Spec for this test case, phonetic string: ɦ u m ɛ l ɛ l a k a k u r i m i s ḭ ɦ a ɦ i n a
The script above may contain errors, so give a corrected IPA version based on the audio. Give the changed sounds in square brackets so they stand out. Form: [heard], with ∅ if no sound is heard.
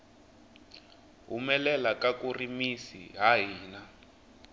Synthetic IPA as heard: ɦ u m ɛ l ɛ l a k a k u r i m i s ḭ ɦ a ɦ [iː] n a